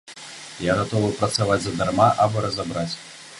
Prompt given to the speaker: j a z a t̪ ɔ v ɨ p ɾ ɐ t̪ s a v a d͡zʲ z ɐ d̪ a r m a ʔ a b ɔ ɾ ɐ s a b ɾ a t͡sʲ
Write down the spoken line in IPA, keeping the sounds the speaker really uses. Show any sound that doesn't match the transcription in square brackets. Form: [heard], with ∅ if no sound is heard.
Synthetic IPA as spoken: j a [ɣ] a t̪ ɔ v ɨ p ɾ ɐ t̪ s a v a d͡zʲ z ɐ d̪ a r m a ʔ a b ɔ ɾ ɐ [z] a b ɾ a t͡sʲ